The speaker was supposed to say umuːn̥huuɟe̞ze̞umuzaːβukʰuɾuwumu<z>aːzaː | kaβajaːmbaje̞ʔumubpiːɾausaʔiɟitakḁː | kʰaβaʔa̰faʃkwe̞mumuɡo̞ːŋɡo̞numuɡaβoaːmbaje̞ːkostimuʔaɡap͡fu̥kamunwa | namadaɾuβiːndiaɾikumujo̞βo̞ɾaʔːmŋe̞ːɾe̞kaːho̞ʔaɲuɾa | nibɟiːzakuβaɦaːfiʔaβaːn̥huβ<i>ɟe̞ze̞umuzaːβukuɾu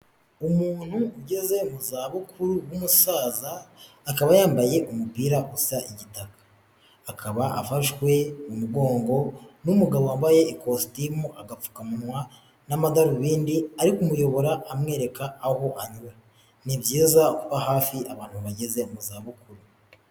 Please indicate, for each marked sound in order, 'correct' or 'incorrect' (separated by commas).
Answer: incorrect, incorrect